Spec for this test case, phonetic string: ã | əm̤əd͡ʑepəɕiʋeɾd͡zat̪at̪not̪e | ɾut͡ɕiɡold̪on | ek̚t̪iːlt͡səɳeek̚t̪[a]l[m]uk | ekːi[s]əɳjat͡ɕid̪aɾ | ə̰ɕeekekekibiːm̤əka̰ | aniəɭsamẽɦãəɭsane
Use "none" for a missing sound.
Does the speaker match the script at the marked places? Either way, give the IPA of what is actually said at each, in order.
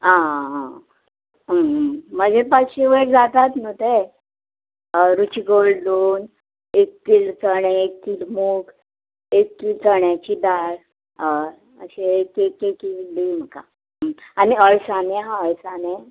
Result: i, m, t͡s

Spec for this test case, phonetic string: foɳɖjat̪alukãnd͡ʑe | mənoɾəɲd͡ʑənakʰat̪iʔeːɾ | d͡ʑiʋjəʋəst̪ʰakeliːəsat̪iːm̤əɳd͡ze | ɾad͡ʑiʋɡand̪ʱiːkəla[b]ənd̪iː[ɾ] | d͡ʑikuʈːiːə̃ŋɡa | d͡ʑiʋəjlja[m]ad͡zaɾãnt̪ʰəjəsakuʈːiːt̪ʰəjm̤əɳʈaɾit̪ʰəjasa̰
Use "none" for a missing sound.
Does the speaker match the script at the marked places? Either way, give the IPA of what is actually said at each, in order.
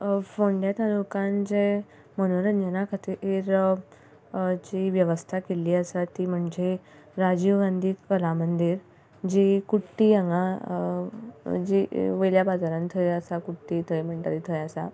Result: m, ɾ, b

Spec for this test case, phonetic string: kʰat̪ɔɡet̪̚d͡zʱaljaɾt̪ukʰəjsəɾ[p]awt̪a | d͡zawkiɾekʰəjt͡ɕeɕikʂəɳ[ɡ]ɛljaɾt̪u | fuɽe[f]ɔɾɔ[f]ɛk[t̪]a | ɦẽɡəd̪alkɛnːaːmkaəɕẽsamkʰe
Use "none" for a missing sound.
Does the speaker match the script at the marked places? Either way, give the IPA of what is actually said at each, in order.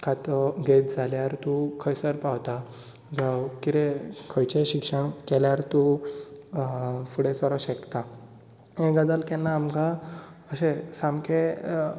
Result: p, k, s, ɕ, t̪

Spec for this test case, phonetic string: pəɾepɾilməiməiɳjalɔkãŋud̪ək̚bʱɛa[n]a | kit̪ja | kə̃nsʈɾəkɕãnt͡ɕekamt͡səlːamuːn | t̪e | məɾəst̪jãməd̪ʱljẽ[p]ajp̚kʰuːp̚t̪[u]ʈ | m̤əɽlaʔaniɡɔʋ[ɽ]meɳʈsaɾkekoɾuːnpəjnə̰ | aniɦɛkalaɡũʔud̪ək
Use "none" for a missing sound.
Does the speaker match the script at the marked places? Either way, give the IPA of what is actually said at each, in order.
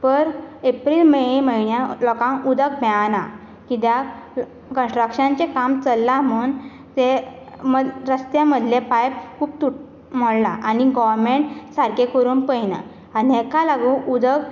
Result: n, p, u, ɾ

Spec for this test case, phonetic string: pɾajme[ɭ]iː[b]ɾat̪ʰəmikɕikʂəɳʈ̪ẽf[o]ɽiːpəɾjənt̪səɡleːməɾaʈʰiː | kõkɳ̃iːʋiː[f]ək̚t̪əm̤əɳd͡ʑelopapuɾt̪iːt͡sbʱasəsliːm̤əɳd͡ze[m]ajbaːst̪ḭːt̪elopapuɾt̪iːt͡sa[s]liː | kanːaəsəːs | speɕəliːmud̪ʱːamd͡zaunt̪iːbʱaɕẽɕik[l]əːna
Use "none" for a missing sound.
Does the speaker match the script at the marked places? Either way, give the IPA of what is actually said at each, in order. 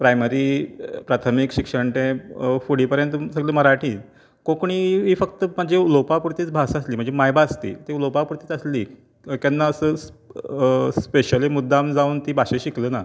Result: ɾ, p, u, f, m, s, l

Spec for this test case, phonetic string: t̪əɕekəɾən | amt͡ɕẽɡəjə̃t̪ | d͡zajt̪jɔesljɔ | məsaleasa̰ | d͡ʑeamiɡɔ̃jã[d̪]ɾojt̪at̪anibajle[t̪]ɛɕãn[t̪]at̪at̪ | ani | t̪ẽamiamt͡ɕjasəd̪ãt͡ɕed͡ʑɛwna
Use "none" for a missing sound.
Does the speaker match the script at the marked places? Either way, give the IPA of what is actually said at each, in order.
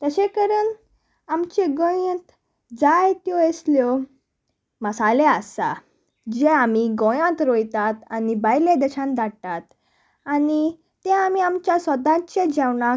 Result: t̪, d̪, d̪

